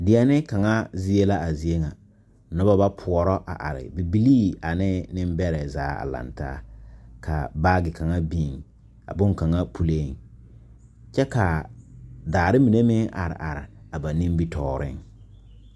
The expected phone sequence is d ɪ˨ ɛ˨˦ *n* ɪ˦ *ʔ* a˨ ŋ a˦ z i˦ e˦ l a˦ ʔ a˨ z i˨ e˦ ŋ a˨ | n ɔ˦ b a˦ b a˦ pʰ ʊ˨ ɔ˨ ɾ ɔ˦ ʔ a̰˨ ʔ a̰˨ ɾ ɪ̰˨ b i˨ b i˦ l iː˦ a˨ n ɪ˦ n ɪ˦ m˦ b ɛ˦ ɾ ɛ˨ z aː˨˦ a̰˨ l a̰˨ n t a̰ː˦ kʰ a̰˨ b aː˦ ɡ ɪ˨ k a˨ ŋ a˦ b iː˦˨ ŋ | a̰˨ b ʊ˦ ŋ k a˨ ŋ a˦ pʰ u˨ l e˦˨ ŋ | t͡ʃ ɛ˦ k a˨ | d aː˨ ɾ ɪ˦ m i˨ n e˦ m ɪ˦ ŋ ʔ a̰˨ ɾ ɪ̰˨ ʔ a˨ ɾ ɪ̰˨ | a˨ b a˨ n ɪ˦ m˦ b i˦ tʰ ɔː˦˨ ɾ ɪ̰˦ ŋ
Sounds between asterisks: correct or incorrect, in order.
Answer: correct, incorrect

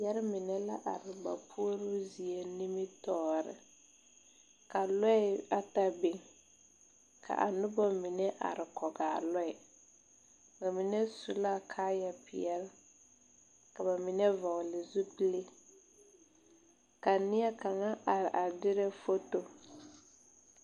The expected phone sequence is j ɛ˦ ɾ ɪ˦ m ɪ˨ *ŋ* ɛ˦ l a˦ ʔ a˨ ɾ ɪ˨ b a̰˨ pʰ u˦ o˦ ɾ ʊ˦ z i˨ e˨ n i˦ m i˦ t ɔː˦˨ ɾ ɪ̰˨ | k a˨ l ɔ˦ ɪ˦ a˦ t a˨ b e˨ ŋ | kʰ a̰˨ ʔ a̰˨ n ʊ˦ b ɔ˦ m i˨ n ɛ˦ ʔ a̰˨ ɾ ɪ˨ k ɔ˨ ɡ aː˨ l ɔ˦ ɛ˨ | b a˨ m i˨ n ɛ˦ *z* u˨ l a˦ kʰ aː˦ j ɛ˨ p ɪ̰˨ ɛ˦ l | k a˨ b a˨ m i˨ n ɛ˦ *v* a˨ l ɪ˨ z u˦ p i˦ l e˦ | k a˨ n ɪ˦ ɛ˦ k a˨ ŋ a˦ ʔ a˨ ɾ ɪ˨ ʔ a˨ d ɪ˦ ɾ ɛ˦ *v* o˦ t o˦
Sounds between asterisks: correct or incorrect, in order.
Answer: incorrect, incorrect, correct, incorrect

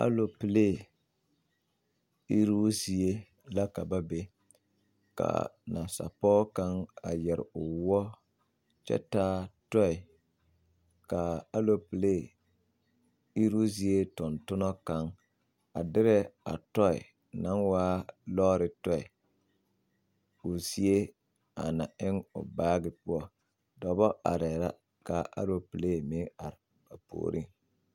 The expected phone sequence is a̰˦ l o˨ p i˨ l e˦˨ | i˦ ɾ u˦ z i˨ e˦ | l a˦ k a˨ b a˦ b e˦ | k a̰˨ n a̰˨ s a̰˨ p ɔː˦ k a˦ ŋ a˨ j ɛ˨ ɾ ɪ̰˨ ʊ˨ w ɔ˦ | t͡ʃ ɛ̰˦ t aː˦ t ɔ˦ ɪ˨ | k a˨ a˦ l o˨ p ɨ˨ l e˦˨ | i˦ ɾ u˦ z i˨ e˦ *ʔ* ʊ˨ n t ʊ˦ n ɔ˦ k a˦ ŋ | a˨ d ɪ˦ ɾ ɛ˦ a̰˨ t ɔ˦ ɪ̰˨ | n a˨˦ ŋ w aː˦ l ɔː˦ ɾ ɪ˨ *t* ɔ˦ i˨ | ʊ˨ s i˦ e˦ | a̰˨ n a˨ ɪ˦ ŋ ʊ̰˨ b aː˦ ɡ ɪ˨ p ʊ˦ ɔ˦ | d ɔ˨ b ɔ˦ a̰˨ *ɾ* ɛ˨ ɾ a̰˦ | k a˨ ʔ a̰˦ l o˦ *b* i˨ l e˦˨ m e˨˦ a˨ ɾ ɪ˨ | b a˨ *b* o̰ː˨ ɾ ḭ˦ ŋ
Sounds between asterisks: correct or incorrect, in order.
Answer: incorrect, correct, correct, incorrect, incorrect

